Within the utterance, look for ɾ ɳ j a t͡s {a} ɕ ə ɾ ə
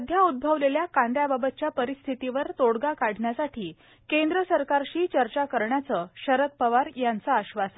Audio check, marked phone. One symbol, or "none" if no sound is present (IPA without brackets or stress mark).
ə